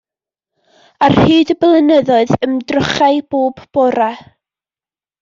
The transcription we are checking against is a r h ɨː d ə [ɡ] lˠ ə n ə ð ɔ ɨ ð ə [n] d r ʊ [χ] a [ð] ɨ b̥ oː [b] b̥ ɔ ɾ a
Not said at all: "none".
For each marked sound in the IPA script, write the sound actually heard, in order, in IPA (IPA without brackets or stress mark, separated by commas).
b, m, χ, none, b